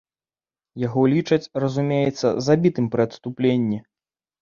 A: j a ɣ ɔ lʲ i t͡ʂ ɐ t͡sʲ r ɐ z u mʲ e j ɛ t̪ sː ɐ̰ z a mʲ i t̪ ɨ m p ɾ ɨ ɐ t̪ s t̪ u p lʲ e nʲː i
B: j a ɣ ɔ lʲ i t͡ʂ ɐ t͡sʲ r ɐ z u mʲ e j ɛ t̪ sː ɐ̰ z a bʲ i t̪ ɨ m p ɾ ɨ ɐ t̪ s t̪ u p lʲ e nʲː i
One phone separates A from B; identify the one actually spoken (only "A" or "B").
B